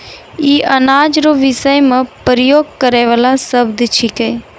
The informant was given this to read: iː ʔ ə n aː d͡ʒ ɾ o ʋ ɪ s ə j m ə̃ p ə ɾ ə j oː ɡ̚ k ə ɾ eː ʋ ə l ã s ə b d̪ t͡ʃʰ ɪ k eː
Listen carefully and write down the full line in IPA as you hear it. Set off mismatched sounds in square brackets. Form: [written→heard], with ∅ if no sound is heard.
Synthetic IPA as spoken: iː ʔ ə n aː d͡ʒ ɾ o ʋ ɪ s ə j m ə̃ p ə ɾ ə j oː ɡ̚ k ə ɾ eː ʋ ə l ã s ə b d̪ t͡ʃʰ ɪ k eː